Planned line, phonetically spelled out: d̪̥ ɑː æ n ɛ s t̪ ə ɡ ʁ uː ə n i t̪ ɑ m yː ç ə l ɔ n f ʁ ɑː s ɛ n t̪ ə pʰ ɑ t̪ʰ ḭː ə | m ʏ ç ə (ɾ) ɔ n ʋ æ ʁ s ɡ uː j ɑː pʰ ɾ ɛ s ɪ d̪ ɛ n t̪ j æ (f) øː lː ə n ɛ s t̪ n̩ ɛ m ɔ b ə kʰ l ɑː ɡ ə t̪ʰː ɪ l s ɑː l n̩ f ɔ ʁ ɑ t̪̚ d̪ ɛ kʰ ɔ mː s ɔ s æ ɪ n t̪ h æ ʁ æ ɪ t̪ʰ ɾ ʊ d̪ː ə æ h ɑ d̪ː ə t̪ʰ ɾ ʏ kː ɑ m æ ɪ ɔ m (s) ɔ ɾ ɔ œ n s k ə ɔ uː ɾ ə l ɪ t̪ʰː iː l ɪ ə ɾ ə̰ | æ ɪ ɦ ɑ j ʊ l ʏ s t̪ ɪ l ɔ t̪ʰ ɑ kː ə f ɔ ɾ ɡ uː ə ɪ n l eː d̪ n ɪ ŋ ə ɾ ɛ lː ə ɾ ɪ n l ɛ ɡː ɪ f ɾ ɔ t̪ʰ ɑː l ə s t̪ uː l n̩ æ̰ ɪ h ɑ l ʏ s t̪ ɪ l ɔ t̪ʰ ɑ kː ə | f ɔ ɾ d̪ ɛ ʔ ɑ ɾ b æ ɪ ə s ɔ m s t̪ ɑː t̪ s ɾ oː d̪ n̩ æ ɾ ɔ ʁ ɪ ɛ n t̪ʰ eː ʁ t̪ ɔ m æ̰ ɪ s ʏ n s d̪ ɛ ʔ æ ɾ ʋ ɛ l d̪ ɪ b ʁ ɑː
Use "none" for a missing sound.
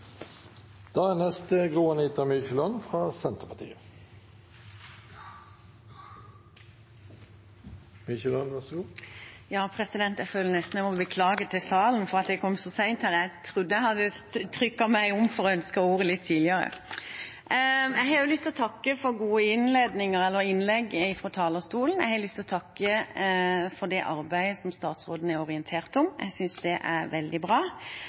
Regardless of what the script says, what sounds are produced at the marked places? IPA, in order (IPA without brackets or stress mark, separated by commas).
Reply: l, f, f